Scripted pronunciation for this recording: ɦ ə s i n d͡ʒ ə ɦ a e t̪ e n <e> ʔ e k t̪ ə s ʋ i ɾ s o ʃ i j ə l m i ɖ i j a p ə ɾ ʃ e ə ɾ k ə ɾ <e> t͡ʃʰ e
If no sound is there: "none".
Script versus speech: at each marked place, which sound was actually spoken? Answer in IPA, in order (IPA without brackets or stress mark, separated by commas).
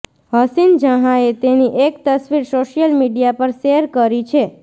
i, i